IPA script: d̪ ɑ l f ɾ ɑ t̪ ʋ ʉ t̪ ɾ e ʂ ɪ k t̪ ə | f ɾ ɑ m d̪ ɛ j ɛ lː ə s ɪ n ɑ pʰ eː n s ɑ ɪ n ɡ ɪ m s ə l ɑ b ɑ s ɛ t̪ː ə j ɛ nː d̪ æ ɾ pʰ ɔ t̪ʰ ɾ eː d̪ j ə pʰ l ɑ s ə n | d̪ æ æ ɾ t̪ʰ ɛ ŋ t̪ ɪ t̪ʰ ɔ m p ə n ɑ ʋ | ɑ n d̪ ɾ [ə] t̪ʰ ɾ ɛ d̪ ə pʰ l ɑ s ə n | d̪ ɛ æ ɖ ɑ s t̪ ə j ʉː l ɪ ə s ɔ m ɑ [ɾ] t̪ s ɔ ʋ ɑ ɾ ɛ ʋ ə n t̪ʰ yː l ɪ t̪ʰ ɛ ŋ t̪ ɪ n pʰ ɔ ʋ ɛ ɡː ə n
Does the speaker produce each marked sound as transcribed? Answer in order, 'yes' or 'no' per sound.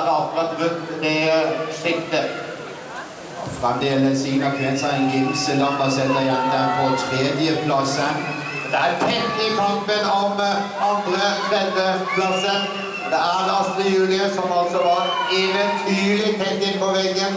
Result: yes, no

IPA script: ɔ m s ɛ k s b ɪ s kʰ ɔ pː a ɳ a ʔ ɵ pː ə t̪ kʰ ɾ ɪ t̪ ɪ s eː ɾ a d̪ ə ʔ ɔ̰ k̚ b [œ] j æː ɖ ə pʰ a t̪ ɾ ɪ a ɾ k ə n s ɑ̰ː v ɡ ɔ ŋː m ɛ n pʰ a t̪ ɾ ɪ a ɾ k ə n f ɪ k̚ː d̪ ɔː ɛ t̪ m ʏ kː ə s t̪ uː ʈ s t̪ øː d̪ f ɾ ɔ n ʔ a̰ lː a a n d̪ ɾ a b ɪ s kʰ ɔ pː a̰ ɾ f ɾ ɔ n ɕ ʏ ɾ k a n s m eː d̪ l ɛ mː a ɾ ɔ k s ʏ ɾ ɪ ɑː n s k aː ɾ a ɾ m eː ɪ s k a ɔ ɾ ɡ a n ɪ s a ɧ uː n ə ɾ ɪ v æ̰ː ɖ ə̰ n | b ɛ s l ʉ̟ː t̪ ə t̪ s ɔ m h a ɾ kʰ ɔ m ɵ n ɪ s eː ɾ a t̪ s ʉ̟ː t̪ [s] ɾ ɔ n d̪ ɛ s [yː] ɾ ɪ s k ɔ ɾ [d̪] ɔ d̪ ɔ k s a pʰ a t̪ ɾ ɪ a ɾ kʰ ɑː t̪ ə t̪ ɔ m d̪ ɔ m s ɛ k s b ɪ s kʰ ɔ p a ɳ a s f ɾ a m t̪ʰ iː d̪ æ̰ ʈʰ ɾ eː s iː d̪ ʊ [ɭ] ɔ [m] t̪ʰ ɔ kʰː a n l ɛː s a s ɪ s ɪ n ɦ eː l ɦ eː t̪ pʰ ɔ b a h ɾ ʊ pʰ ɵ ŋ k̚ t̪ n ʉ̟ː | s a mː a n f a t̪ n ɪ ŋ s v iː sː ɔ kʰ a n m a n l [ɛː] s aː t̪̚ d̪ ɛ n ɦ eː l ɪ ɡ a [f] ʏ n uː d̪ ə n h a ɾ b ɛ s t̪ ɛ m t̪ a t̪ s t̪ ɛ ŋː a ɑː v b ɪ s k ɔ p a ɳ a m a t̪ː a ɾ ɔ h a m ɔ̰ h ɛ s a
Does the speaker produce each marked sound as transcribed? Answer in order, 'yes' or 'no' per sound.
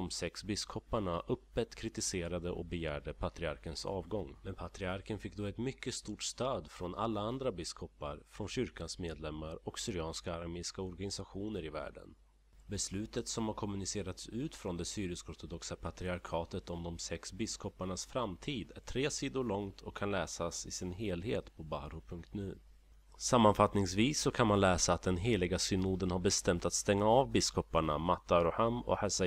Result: no, no, yes, no, yes, no, yes, no

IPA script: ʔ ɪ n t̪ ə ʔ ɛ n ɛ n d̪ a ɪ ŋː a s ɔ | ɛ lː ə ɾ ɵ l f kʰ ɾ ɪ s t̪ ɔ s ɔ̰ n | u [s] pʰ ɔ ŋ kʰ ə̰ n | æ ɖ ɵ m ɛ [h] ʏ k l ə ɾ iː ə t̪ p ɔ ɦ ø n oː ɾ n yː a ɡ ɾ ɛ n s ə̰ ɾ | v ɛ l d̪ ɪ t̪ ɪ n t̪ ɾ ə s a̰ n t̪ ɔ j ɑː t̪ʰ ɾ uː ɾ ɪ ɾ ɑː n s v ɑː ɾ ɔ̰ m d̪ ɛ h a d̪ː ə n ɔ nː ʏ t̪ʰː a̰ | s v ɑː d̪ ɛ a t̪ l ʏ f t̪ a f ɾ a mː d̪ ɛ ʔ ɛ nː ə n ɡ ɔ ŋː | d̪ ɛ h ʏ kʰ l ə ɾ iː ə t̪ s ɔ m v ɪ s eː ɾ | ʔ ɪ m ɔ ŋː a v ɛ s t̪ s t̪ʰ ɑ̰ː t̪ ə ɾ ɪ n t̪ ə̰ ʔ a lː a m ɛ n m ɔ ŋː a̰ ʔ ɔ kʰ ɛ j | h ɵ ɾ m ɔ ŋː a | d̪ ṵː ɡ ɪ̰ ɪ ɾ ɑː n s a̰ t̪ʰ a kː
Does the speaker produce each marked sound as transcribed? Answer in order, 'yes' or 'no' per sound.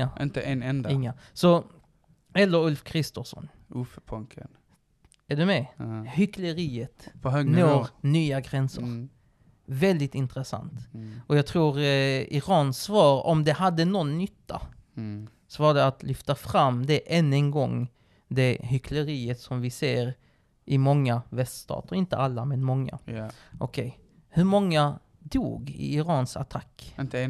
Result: no, yes

